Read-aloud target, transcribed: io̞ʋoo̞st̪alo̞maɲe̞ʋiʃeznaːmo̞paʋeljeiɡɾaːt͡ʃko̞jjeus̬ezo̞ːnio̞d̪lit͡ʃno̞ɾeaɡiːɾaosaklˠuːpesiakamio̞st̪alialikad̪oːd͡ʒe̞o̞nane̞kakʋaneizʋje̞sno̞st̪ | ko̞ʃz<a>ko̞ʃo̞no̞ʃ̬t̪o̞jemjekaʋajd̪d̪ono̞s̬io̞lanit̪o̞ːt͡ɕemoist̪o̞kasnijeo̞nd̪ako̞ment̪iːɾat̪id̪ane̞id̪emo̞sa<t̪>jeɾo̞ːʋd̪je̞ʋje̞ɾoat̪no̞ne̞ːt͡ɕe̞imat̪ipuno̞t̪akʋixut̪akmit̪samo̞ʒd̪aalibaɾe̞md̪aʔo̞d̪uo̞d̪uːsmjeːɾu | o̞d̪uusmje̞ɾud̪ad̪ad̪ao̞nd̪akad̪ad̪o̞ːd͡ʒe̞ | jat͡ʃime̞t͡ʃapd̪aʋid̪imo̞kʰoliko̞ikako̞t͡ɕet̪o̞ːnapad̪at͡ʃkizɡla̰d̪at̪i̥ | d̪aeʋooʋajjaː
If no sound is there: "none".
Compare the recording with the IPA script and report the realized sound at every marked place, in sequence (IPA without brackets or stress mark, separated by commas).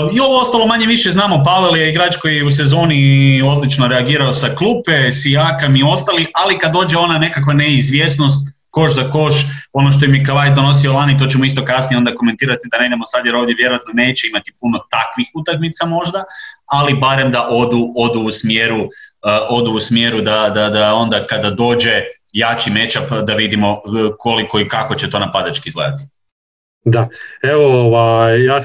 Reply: a, d̪